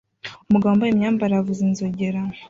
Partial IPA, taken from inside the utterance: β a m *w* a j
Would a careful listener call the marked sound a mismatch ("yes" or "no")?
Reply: yes